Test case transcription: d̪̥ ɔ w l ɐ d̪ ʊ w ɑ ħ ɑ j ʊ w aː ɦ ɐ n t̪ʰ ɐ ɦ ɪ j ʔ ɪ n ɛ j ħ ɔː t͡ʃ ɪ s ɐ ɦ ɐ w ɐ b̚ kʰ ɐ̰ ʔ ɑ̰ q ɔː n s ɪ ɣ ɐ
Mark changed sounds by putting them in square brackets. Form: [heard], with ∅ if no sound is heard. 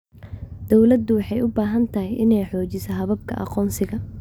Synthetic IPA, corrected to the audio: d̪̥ ɔ w l ɐ d̪ ʊ w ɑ ħ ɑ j ʊ [b] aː ɦ ɐ n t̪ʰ ɐ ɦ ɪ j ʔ ɪ n ɛ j ħ ɔː t͡ʃ ɪ s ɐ ɦ ɐ [β] ɐ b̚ kʰ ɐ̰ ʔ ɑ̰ q ɔː n s ɪ ɣ ɐ